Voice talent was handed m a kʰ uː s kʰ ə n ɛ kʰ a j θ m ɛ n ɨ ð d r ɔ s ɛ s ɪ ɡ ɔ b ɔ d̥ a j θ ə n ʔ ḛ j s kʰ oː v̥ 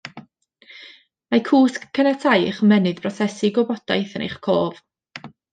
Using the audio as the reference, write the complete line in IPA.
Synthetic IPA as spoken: m a kʰ uː s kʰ ə n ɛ tʰ a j χ m ɛ n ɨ ð b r ɔ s ɛ s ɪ ɡ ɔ b ɔ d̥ a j θ ə n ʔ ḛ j χ kʰ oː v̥